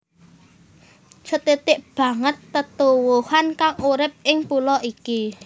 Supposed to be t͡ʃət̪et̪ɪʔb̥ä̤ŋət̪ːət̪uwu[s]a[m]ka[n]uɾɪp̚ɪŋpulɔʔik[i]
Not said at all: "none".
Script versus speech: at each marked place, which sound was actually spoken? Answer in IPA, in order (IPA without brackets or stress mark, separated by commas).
h, n, ŋ, i